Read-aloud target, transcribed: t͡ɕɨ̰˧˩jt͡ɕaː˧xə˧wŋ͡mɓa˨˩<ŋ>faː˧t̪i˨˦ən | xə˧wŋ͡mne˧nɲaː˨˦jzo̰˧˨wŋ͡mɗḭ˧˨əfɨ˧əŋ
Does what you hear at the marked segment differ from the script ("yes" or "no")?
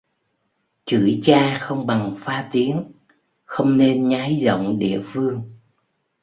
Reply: no